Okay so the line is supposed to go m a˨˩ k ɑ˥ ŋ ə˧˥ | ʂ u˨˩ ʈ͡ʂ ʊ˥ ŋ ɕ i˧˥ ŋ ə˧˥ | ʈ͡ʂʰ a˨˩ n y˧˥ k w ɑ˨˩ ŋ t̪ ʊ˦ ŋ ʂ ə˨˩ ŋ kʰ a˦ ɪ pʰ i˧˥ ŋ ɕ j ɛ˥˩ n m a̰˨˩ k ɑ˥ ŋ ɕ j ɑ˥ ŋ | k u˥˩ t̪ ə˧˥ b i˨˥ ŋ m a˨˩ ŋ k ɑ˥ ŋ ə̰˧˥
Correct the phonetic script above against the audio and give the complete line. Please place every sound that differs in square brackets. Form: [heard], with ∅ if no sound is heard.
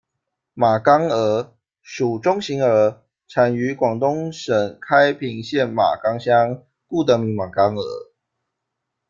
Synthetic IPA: m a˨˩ k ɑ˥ ŋ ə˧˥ | ʂ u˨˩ ʈ͡ʂ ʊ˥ ŋ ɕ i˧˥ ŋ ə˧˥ | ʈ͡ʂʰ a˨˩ n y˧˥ k w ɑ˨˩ ŋ t̪ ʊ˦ ŋ ʂ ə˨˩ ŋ kʰ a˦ ɪ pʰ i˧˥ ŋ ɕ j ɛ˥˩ n m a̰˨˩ k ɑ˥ ŋ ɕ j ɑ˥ ŋ | k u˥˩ t̪ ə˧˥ [m] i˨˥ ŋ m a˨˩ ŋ k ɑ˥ ŋ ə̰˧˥